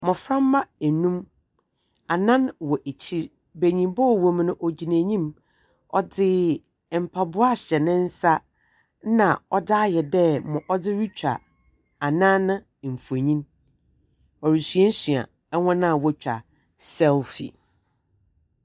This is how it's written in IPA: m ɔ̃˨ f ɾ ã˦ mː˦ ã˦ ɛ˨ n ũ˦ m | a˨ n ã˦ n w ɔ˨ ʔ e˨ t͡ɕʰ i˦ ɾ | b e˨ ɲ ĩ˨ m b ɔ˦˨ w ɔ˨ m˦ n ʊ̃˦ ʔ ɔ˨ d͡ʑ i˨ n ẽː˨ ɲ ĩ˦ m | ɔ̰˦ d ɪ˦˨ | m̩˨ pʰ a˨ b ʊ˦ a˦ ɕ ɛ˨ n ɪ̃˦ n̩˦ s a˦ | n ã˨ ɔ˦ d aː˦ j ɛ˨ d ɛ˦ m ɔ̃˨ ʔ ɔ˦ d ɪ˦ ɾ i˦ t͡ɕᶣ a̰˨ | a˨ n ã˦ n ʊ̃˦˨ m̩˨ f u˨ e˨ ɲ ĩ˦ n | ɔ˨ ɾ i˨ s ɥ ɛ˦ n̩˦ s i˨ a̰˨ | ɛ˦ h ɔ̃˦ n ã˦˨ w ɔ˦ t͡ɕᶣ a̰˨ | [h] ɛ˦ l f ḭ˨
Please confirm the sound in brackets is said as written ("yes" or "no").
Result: no